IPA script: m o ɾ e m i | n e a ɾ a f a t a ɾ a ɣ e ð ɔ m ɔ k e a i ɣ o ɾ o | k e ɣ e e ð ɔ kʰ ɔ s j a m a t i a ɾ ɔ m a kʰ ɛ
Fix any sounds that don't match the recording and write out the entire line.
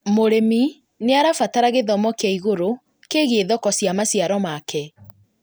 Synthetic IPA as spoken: m o ɾ e m i | n e a ɾ a f a t a ɾ a ɣ e ð ɔ m ɔ k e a i ɣ o ɾ o | k e ɣ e e ð ɔ k ɔ s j a m a s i a ɾ ɔ m a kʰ ɛ